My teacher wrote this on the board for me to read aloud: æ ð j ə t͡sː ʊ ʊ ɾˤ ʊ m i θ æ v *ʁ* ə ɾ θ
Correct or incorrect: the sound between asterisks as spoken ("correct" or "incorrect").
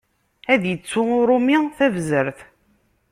incorrect